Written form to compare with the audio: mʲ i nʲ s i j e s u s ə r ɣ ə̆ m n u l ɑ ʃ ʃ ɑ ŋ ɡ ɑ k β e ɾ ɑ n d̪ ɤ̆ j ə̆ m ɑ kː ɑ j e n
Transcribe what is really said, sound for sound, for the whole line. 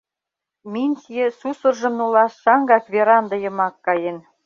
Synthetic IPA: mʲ i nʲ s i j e s u s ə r ʒ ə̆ m n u l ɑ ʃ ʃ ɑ ŋ ɡ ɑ k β e ɾ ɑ n d̪ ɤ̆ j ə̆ m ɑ kː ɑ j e n